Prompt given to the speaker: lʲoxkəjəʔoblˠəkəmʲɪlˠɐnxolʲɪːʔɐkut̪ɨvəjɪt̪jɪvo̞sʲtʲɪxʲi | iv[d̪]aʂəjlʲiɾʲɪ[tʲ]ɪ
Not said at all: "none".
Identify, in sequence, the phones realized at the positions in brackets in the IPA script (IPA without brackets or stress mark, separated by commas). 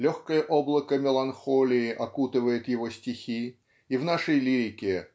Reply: n̪, kʲ